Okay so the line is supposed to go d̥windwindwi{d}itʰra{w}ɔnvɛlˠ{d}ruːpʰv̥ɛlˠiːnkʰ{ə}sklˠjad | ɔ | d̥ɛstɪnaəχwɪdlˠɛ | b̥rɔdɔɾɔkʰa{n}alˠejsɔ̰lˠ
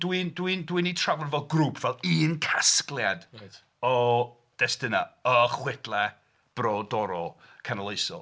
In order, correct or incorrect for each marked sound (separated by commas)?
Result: incorrect, incorrect, incorrect, incorrect, correct